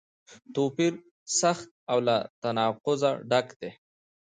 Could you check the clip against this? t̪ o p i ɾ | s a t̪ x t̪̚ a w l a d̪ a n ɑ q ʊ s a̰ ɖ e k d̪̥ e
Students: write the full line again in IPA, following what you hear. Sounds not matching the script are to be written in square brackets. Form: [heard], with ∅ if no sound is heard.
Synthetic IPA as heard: t̪ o p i ɾ | s a [∅] x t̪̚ a w l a [t̪] a n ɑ q ʊ [z] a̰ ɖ [a] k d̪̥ e

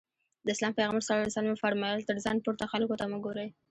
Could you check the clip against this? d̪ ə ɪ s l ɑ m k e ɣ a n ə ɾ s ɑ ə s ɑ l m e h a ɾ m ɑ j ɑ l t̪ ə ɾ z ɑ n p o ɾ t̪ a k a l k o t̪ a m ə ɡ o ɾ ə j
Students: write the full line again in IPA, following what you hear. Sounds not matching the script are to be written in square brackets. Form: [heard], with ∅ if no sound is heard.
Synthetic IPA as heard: d̪ ə ɪ s l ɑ m [p] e ɣ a [m] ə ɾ s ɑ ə s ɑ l m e [f] a ɾ m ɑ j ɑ l t̪ ə ɾ z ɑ n p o ɾ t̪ a [x] a l k o t̪ a m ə ɡ o ɾ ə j

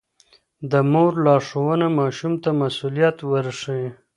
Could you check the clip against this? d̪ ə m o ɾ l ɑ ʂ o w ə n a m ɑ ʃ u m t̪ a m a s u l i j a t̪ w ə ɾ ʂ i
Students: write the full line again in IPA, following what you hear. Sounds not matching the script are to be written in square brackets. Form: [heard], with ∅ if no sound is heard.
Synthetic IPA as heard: d̪ ə m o ɾ l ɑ ʂ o w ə n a m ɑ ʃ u m t̪ a m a s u l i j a t̪ w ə ɾ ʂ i

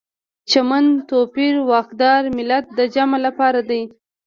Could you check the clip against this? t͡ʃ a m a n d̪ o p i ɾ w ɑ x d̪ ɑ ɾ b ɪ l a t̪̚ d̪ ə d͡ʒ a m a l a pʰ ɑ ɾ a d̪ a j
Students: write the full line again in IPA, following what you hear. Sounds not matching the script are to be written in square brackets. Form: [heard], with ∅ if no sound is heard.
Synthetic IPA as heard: t͡ʃ a m a n [t̪] o p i ɾ w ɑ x d̪ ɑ ɾ [m] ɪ l a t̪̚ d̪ ə d͡ʒ a m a l a [p] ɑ ɾ a d̪ a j

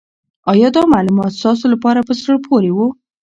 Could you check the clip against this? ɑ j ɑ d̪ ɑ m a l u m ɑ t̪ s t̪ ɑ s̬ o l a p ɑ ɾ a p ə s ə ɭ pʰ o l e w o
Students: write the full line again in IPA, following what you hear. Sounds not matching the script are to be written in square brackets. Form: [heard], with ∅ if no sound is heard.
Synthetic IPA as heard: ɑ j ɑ d̪ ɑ m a l u m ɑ t̪ s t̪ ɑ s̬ o l a p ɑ ɾ a p ə s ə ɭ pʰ o [ɾ] e w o

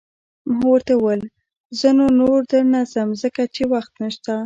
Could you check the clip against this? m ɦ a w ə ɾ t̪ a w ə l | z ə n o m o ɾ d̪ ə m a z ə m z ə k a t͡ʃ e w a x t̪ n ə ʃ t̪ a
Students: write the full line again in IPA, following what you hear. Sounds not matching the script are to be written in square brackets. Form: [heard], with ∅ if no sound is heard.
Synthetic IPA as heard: m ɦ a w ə ɾ t̪ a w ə l | z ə n o [n] o ɾ d̪ ə [n] a z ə m z ə k a t͡ʃ e w a x t̪ n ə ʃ t̪ a

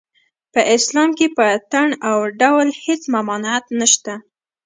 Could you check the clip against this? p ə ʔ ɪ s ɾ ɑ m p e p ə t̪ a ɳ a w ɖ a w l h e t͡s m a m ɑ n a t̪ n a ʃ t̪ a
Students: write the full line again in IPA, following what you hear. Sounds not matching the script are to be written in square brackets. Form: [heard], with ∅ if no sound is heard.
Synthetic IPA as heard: p ə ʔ ɪ s [l] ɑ m [k] e p ə t̪ a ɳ a w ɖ a w l h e t͡s m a m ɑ n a t̪ n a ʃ t̪ a

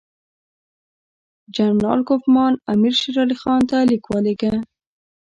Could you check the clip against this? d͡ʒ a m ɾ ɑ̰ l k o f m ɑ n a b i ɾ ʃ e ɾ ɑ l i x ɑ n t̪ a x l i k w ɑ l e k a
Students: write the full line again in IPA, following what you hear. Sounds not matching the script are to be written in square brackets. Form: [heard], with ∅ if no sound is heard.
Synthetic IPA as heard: d͡ʒ a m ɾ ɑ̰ l k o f m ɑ n a [m] i ɾ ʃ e ɾ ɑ l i x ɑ n t̪ a [∅] l i k w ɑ l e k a

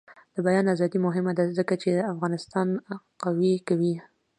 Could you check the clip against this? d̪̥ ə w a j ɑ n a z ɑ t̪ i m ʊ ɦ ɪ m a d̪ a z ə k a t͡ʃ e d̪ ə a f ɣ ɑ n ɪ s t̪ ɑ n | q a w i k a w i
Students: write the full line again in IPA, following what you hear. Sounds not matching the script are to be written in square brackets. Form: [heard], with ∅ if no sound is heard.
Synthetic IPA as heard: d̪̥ ə [b] a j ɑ n a z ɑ [d̪] i m ʊ ɦ ɪ m a d̪ a z ə k a t͡ʃ e d̪ ə a f ɣ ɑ n ɪ s t̪ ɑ n | q a w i k a w i

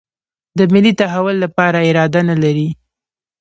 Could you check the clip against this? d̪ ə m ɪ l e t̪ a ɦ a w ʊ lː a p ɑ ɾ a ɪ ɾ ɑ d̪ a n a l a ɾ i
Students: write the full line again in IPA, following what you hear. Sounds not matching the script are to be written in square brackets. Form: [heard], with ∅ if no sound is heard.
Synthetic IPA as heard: d̪ ə m ɪ l [i] t̪ a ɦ a w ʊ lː a p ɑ ɾ a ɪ ɾ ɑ d̪ a n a l a ɾ i

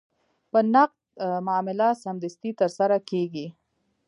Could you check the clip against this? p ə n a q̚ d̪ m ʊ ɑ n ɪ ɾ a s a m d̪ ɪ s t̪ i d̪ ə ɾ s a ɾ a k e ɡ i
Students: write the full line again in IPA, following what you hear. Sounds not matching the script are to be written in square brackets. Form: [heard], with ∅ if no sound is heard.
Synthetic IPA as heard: p ə n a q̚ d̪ m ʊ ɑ [m] ɪ [l] a s a m d̪ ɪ s t̪ i [t̪] ə ɾ s a ɾ a k e ɡ i

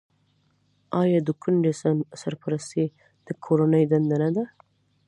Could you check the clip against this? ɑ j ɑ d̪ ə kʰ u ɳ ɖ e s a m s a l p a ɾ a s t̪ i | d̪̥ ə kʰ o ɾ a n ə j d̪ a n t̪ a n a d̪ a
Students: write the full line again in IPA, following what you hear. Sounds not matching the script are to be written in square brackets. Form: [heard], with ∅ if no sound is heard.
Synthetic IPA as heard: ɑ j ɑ d̪ ə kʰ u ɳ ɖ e s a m s a [ɾ] p a ɾ a s t̪ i | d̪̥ ə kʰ o ɾ a n ə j d̪ a n [d̪] a n a d̪ a

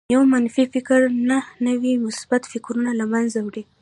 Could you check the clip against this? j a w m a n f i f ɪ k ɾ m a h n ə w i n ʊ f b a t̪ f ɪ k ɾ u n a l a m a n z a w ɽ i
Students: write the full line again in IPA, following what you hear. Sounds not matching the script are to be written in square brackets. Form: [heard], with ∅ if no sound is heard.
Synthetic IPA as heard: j a w m a n f i f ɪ k ɾ [n] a h n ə w i [m] ʊ [s] b a t̪ f ɪ k ɾ u n a l a m a n z a w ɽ i

